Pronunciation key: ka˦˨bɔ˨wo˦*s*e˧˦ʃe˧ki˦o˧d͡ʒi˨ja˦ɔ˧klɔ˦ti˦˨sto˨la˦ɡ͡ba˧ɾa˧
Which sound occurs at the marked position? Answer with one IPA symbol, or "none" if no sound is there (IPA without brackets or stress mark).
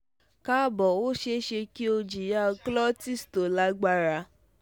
ʃ